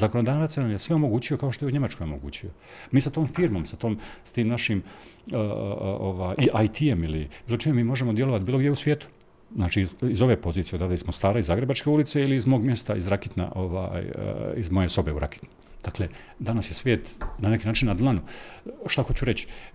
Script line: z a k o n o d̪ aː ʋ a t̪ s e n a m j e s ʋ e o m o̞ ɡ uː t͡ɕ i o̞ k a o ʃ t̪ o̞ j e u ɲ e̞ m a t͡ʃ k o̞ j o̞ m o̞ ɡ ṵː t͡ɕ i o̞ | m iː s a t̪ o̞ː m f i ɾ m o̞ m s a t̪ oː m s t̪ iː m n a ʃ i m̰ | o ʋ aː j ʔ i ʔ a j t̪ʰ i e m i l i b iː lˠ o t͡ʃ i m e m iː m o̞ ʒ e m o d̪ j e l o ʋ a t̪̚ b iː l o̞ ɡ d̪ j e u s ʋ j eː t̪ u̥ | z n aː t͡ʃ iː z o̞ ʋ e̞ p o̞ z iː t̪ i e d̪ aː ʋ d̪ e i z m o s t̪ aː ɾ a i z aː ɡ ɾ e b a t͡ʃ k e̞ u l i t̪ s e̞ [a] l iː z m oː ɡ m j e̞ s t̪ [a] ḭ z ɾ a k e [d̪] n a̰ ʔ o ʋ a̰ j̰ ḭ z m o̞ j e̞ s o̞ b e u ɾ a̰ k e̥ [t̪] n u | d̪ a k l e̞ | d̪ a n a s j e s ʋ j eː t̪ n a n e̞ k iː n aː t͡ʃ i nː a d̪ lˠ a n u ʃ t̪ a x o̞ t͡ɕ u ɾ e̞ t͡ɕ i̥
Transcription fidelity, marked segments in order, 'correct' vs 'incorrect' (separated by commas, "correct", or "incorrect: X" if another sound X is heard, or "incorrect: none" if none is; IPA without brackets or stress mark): incorrect: i, correct, incorrect: t̪, correct